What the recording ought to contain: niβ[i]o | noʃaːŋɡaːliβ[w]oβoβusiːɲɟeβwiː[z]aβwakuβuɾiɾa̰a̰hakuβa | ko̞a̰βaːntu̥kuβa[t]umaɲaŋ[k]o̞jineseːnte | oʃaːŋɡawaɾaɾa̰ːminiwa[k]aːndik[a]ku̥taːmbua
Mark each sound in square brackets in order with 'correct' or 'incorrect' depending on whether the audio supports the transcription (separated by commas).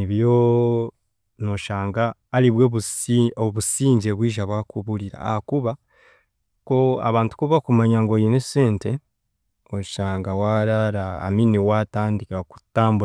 incorrect, correct, incorrect, incorrect, incorrect, incorrect, correct